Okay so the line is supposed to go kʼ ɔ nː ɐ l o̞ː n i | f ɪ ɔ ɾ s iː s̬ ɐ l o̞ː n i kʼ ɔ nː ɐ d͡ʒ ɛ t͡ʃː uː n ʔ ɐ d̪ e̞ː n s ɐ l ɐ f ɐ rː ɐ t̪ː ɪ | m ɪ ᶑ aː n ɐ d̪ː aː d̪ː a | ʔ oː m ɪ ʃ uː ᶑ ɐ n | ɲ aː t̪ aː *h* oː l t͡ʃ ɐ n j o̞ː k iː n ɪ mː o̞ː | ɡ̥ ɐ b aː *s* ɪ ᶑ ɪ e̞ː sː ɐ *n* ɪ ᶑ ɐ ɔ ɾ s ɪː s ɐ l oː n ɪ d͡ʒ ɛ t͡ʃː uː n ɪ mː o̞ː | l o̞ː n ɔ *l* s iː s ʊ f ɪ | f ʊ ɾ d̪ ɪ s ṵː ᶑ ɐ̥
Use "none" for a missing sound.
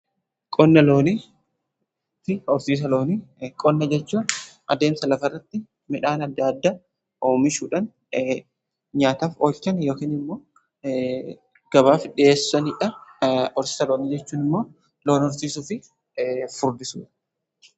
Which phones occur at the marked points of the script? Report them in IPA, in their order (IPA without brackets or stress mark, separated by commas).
f, f, n, ɾ